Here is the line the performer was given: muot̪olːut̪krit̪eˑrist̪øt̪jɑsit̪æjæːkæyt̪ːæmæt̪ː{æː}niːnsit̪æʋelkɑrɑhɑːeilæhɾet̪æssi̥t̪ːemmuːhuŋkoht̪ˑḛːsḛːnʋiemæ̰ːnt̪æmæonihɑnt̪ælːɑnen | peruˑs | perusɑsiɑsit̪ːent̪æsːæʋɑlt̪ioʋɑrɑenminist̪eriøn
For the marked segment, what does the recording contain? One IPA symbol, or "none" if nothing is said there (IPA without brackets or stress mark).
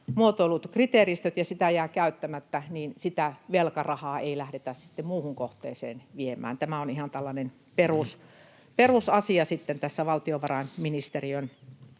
æ